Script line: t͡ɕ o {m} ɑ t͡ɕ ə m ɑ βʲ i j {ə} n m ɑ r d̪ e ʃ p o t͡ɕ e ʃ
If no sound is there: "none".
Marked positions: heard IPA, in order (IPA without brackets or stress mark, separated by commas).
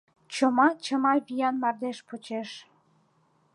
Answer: m, ɑ